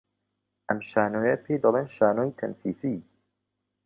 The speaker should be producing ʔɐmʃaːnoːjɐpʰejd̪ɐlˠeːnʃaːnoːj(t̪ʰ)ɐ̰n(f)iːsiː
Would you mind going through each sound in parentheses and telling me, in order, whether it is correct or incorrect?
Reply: correct, correct

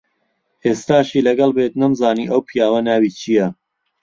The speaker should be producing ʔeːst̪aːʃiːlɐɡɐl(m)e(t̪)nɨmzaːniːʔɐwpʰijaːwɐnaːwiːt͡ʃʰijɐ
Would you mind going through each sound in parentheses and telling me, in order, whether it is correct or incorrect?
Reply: incorrect: b, correct

